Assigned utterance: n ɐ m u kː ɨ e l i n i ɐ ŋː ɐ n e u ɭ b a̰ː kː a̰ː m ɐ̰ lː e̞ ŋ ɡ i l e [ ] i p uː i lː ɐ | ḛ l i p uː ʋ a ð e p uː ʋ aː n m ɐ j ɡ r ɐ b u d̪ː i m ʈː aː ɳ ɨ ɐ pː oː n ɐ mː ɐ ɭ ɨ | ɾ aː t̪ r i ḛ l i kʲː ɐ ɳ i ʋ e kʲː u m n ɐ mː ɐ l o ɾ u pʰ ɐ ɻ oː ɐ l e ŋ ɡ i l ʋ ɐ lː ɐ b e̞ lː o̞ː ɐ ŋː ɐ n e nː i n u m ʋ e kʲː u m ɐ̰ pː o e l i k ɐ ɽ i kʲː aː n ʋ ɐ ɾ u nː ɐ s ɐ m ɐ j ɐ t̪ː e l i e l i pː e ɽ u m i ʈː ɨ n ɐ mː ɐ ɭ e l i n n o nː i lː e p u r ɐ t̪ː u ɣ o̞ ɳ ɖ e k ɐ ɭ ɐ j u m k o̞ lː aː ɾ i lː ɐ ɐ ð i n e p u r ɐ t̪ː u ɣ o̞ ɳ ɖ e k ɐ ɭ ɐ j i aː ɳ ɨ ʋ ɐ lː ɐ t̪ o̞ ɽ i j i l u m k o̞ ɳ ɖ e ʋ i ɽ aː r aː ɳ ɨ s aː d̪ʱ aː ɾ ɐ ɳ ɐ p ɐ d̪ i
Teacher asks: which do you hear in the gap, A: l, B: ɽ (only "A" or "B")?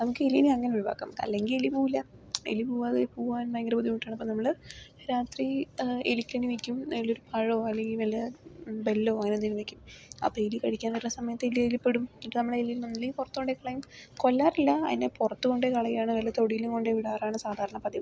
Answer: A